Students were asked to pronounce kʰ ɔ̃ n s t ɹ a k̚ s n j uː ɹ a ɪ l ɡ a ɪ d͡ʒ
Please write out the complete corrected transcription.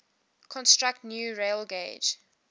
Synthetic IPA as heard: kʰ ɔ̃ n s t ɹ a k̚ t n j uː ɹ e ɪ l ɡ e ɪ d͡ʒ